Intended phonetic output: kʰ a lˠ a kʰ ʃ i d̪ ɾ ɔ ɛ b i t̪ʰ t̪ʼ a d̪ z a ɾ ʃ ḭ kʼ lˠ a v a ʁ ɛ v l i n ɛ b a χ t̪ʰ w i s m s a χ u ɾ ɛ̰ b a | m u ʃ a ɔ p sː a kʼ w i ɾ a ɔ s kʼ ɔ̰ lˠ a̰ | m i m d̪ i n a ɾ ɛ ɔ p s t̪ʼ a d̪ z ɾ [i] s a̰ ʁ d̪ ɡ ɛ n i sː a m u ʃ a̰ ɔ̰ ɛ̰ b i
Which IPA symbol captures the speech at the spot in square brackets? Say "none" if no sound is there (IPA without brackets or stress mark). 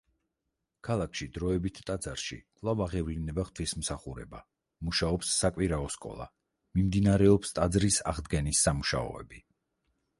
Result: i